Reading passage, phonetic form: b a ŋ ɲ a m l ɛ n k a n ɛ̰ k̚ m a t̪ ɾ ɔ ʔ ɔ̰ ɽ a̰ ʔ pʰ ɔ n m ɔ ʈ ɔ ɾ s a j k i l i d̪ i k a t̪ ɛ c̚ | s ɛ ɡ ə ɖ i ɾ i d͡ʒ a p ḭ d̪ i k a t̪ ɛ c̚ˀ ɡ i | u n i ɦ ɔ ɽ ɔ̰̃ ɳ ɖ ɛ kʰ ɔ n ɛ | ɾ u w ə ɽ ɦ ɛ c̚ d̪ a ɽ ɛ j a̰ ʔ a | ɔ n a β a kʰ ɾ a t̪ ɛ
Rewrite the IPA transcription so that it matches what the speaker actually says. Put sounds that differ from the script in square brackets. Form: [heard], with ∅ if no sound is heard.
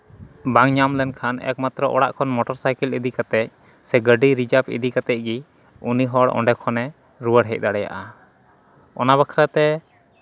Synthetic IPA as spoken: b a ŋ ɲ a m l ɛ n [kʰ] a n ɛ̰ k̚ m a t̪ ɾ ɔ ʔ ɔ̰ ɽ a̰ ʔ [kʰ] ɔ n m ɔ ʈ ɔ ɾ s a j k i l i d̪ i k a t̪ ɛ c̚ | s ɛ ɡ ə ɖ i ɾ i d͡ʒ a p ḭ d̪ i k a t̪ ɛ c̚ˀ ɡ i | u n i ɦ ɔ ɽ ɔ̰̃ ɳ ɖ ɛ kʰ ɔ n ɛ | ɾ u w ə ɽ ɦ ɛ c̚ d̪ a ɽ ɛ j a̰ ʔ a | ɔ n a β a kʰ ɾ a t̪ ɛ